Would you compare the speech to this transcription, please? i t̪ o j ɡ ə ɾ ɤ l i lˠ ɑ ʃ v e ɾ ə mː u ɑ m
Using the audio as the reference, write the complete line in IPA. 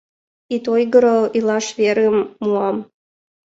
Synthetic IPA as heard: i t̪ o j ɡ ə ɾ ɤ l i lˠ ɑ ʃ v e ɾ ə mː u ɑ m